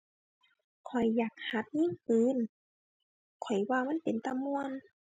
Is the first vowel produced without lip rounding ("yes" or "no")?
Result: no